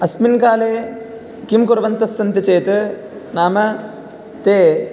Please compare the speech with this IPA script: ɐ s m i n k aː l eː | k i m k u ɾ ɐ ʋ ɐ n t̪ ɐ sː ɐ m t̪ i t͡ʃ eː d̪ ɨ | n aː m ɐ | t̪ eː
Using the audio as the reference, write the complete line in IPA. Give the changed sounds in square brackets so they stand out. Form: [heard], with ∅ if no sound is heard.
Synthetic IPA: ɐ s m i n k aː l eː | k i m k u ɾ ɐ ʋ ɐ n t̪ ɐ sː ɐ [n] t̪ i t͡ʃ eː [t̪] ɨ | n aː m ɐ | t̪ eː